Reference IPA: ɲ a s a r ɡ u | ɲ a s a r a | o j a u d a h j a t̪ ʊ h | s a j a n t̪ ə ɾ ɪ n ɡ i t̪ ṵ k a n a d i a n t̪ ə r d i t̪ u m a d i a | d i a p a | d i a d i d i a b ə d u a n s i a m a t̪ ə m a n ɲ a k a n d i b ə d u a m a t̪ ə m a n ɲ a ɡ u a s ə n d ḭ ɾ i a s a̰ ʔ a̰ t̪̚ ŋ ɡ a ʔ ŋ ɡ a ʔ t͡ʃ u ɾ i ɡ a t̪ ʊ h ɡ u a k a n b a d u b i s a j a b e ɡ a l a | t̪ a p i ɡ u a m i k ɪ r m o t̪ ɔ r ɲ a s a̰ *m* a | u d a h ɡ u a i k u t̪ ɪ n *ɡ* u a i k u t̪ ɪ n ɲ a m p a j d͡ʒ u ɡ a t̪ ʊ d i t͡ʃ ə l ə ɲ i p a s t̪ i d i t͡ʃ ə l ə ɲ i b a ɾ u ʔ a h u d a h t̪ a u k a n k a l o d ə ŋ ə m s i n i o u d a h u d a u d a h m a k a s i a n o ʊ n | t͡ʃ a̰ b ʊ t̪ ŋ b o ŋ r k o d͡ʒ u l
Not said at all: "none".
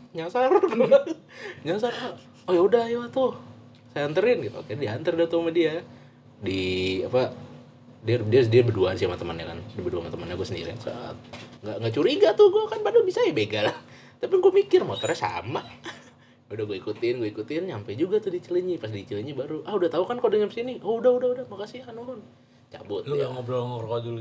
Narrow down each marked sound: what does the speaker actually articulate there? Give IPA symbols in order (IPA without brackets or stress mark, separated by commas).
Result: m, ɡ